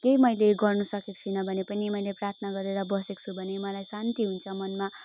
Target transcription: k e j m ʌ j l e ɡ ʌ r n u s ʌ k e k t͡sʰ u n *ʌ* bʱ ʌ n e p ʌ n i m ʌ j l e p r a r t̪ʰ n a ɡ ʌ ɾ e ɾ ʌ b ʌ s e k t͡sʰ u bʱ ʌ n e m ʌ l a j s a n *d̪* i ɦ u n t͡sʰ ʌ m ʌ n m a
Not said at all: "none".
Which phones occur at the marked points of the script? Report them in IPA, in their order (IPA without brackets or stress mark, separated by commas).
ʌ, t̪